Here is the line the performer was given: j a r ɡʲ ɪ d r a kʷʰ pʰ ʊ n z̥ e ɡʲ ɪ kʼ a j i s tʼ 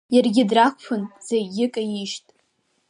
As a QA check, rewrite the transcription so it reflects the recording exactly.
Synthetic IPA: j a r ɡʲ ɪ d r a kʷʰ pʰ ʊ n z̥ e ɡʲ ɪ kʼ a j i ʃ tʼ